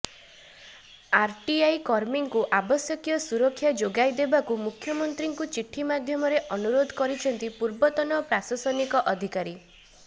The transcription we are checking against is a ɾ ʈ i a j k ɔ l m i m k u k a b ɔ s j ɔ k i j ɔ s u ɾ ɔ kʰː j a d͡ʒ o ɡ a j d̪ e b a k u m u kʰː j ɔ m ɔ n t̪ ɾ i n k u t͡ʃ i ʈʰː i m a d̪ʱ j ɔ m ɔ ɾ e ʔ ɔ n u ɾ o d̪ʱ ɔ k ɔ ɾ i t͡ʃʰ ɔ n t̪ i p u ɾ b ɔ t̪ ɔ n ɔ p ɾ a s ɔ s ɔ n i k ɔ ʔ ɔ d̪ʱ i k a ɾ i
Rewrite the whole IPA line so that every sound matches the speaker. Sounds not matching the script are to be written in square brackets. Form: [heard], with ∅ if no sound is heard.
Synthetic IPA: a ɾ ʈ i a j k ɔ [ɾ] m i [ŋ] k u [ʔ] a b ɔ s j ɔ k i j ɔ s u ɾ ɔ kʰː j a d͡ʒ o ɡ a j d̪ e b a k u m u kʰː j ɔ m ɔ n t̪ ɾ i [ŋ] k u t͡ʃ i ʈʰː i m a d̪ʱ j ɔ m ɔ ɾ e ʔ ɔ n u ɾ o d̪ʱ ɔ k ɔ ɾ i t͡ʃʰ ɔ n t̪ i p u ɾ b ɔ t̪ ɔ n ɔ p ɾ a s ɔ s ɔ n i k ɔ ʔ ɔ d̪ʱ i k a ɾ i